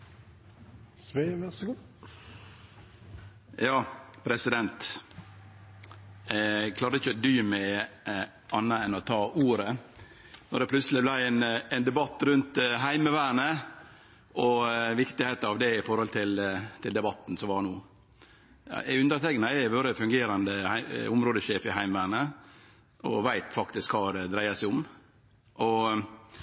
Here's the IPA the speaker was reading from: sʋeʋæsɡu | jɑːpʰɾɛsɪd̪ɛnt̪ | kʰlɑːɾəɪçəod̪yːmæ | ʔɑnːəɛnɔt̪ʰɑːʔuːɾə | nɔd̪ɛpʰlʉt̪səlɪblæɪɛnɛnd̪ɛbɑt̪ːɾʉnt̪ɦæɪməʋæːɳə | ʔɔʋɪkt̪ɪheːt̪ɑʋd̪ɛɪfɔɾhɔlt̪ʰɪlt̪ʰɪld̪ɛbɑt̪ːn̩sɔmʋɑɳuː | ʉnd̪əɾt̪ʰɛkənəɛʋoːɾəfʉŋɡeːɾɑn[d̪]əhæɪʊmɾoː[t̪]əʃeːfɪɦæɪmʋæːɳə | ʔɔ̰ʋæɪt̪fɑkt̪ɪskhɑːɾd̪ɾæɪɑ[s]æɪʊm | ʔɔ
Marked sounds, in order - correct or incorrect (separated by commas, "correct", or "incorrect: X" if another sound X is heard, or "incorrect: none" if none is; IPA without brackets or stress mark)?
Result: correct, incorrect: d̪, correct